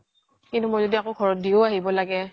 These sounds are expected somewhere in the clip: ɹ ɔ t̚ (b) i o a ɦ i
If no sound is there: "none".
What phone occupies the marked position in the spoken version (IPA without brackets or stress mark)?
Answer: d